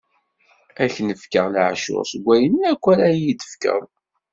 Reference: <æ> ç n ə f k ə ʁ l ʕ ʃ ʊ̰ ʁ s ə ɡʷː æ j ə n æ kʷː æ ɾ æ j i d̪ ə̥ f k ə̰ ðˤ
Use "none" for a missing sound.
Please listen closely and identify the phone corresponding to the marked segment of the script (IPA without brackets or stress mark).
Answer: æ